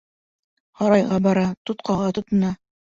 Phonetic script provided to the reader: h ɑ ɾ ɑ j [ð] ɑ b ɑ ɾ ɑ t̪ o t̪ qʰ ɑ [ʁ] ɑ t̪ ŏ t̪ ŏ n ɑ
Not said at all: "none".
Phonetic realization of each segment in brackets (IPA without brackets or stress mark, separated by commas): ʁ, ʁ